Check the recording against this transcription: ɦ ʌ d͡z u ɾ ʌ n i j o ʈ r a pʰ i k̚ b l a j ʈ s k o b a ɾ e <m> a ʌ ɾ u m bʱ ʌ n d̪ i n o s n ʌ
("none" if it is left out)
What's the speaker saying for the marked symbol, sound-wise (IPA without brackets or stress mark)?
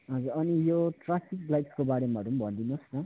m